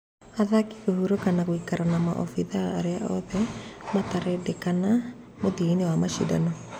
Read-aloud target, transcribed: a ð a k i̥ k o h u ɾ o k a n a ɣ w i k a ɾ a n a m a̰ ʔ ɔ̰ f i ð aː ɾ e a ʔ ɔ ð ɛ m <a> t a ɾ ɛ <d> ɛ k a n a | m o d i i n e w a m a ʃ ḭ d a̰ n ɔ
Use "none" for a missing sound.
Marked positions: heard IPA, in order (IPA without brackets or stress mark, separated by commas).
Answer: a, d